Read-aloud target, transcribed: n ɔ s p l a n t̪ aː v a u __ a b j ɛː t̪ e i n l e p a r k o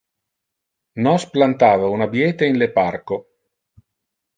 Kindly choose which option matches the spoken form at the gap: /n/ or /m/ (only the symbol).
n